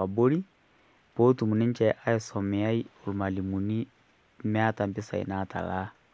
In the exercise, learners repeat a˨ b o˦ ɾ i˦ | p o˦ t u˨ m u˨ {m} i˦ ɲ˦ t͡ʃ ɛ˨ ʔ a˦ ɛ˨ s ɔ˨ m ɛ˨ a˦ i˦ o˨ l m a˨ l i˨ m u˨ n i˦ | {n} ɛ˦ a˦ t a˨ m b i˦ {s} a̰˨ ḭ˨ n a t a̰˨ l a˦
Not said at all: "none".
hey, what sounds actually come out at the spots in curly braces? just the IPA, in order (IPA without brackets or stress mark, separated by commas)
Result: n, m, s